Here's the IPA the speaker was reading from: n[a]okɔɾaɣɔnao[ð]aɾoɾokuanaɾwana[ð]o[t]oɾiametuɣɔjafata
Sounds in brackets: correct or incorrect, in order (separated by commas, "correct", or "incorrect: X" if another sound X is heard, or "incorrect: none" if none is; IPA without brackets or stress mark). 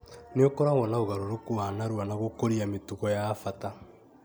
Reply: incorrect: e, incorrect: ɣ, incorrect: ɣ, incorrect: k